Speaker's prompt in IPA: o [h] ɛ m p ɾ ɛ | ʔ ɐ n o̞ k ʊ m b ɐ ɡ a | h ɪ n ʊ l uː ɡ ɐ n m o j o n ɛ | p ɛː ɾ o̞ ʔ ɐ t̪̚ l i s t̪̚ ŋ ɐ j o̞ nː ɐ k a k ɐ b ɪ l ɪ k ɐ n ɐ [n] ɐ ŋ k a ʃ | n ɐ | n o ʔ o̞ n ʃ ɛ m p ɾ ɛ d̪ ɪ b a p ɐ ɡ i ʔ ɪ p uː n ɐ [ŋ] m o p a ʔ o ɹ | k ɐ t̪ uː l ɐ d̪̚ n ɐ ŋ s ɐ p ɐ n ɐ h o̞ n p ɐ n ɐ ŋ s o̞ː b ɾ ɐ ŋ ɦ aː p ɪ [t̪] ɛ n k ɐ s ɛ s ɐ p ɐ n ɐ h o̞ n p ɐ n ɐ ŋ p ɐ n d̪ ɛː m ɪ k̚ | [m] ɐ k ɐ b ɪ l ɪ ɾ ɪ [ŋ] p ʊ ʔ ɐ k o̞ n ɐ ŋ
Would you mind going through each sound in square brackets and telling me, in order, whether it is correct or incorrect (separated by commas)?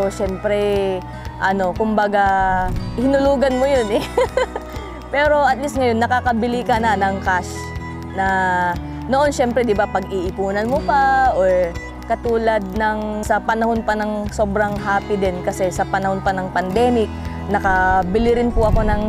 incorrect, correct, incorrect, incorrect, incorrect, incorrect